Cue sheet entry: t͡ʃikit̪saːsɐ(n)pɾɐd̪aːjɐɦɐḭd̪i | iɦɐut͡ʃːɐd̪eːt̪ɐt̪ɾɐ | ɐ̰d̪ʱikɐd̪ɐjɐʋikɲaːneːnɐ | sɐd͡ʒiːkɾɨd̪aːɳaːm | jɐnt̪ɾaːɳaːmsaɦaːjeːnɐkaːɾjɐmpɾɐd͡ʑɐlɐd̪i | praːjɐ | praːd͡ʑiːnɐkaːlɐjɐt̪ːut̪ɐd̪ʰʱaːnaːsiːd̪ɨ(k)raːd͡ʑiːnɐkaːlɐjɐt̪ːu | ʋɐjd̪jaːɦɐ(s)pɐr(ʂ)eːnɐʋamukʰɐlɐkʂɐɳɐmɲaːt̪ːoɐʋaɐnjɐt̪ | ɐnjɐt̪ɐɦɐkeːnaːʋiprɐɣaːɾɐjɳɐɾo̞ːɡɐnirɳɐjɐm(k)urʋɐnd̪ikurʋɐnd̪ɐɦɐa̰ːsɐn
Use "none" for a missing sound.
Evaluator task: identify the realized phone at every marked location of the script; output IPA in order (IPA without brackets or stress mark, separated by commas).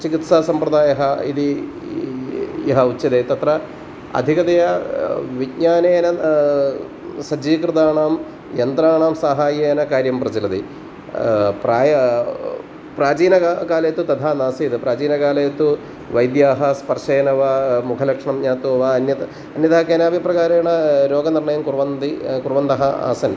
m, p, s, ʂ, k